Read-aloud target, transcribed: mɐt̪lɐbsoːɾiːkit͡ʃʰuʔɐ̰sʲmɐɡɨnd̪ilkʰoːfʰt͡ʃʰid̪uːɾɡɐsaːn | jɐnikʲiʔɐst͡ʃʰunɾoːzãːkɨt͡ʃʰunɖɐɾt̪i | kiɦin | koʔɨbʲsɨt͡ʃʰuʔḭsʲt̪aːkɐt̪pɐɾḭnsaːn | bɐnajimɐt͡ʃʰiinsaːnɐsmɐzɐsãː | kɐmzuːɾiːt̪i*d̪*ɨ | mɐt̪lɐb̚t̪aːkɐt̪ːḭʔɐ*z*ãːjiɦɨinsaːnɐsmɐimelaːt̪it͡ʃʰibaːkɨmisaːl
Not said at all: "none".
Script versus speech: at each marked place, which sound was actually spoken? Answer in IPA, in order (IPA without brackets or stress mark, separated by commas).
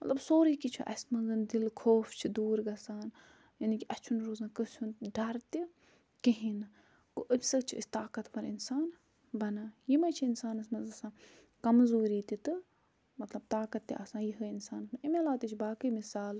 t̪, s